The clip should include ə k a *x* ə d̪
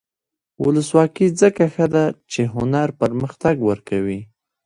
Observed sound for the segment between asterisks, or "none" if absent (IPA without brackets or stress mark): x